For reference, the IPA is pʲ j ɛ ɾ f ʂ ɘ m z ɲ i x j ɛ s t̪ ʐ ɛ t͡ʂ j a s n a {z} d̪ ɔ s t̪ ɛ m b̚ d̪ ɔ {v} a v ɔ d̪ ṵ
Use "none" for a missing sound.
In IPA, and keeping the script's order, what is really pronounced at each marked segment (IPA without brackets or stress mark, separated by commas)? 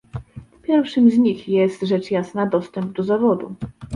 none, z